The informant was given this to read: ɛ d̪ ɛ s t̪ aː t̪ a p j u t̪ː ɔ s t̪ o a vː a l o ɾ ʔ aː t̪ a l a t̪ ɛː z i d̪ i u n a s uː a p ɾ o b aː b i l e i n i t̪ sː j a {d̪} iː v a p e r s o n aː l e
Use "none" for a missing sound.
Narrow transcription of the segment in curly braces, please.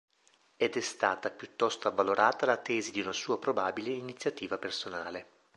t̪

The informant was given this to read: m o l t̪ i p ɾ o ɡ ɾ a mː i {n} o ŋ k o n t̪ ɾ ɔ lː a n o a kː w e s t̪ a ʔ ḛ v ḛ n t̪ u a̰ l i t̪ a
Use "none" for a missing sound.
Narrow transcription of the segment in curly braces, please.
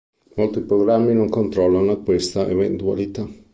n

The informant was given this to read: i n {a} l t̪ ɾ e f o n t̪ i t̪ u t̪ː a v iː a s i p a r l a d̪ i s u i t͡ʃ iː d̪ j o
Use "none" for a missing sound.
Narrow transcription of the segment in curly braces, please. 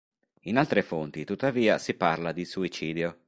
a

